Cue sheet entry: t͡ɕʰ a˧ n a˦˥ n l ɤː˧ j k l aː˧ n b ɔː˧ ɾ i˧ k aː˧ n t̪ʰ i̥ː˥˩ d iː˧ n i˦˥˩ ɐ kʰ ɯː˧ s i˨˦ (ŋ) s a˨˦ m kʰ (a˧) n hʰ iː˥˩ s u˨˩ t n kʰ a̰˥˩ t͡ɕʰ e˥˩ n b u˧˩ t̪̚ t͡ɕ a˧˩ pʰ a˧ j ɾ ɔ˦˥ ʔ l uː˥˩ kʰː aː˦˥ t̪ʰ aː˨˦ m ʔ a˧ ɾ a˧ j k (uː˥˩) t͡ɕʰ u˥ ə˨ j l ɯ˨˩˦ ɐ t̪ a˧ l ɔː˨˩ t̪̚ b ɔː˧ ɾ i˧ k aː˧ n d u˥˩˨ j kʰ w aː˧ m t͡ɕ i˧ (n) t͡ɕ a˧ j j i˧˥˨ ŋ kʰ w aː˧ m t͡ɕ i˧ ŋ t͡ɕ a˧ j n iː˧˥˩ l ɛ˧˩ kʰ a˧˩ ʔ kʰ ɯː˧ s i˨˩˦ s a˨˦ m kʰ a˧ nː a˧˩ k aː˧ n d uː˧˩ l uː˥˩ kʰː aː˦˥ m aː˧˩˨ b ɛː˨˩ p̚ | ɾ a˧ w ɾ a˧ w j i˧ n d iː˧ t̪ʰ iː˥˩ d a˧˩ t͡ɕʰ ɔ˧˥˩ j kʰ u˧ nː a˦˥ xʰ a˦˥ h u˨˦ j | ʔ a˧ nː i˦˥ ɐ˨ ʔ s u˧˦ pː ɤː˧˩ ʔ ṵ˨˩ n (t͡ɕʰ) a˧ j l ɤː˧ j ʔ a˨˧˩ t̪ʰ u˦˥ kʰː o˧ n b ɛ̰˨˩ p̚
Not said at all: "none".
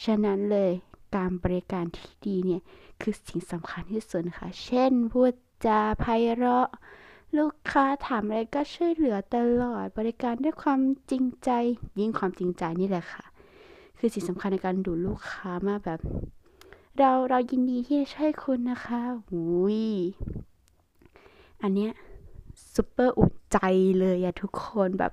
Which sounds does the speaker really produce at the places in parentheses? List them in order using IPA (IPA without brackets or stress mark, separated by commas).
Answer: ŋ, a˧, ɔː˥˩, ŋ, t͡ɕ